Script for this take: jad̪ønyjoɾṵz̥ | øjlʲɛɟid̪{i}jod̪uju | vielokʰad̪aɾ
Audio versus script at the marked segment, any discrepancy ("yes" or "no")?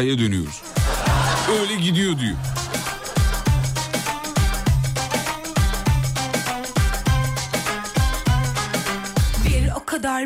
no